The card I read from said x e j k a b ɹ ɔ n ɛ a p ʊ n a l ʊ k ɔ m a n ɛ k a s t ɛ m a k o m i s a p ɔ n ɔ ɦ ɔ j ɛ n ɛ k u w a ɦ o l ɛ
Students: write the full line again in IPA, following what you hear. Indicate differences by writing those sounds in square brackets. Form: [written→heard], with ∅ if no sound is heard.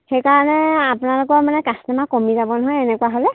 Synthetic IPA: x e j k a [b→∅] ɹ ɔ n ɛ a p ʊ n a l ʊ k ɔ m a n ɛ k a s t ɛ m a k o m i [s→z] a [p→b] ɔ n ɔ ɦ ɔ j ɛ n ɛ k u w a ɦ o l ɛ